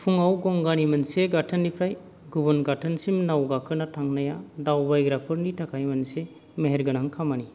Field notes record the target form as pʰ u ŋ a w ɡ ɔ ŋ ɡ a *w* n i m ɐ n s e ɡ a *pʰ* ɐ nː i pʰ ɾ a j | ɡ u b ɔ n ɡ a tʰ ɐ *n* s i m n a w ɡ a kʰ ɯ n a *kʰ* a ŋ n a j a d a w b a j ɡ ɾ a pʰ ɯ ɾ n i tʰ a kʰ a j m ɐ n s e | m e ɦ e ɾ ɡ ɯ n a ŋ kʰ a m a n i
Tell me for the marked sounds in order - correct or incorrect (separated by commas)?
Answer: incorrect, incorrect, correct, incorrect